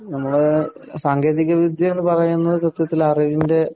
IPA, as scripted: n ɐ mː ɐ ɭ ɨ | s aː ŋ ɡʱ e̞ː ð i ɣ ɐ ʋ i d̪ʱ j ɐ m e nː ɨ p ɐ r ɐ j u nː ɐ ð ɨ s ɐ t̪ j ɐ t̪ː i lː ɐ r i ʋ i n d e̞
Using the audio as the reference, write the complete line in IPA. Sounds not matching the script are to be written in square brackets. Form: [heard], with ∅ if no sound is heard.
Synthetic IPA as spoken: n ɐ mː ɐ ɭ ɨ | s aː ŋ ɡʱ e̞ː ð i ɣ ɐ ʋ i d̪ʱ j ɐ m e nː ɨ p ɐ r ɐ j u nː ɐ ð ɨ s ɐ t̪ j ɐ t̪ː i [l] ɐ r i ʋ i n d e̞

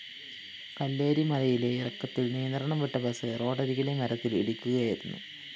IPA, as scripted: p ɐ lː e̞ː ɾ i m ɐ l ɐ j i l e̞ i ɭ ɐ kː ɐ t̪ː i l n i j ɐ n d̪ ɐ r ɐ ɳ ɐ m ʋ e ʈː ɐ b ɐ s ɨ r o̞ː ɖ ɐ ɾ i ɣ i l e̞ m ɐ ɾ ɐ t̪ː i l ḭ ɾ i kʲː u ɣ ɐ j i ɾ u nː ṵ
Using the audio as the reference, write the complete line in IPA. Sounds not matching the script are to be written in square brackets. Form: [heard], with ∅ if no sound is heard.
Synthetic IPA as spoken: [k] ɐ lː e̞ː ɾ i m ɐ l ɐ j i l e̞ i [r] ɐ kː ɐ t̪ː i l n i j ɐ n d̪ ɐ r ɐ ɳ ɐ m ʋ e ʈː ɐ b ɐ s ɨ r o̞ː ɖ ɐ ɾ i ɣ i l e̞ m ɐ ɾ ɐ t̪ː i l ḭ [ɽ] i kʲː u ɣ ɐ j i ɾ u nː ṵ

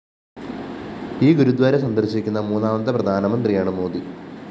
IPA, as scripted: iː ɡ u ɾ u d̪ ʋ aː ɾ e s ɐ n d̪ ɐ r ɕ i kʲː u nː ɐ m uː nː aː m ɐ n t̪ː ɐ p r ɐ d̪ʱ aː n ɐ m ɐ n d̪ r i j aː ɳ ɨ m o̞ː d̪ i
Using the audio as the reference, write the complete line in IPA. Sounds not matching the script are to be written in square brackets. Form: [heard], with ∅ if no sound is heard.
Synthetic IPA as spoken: iː ɡ u ɾ u d̪ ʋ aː ɾ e s ɐ n d̪ ɐ r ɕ i kʲː u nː ɐ m uː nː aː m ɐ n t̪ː ɐ p r ɐ d̪ʱ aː n ɐ m ɐ n d̪ r i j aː ɳ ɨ m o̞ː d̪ i

